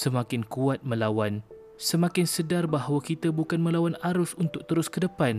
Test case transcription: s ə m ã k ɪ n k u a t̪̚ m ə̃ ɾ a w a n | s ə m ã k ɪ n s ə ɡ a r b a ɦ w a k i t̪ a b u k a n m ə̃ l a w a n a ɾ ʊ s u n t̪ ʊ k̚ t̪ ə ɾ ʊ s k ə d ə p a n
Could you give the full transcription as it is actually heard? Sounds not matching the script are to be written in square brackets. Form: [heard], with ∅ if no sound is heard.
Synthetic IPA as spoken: s ə m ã k ɪ n k u a t̪̚ m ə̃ [l] a w a n | s ə m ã k ɪ n s ə [d] a r b a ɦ w a k i t̪ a b u k a n m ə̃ l a w a n a ɾ ʊ s u n t̪ ʊ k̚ t̪ ə ɾ ʊ s k ə d ə p a n